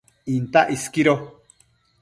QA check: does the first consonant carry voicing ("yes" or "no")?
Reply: yes